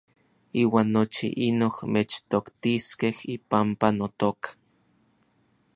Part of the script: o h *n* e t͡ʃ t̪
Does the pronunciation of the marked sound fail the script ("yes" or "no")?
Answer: yes